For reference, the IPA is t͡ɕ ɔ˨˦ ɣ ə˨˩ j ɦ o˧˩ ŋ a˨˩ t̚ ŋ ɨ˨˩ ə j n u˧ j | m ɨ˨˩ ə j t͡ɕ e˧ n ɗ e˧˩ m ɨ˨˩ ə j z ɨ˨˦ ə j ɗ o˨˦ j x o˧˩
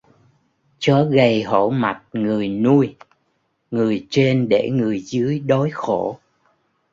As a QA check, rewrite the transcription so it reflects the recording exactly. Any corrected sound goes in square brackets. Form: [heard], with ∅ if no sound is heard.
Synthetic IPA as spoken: t͡ɕ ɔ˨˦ ɣ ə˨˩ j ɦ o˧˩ [m] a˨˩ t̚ ŋ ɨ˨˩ ə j n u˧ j | [ŋ] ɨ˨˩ ə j t͡ɕ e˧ n ɗ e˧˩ [ŋ] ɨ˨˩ ə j z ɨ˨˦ ə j ɗ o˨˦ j x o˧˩